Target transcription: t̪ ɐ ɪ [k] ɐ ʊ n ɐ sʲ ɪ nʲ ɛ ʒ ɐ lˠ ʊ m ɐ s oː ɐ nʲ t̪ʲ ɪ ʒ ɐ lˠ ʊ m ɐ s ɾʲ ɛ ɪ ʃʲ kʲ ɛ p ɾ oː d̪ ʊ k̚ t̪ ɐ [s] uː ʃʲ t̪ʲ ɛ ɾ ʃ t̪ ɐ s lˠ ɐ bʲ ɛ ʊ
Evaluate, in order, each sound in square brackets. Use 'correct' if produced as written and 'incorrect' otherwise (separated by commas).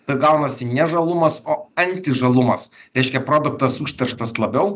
incorrect, correct